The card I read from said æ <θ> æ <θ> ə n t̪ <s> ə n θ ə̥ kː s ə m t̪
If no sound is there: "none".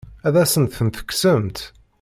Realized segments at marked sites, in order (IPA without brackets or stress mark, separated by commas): ð, s, θ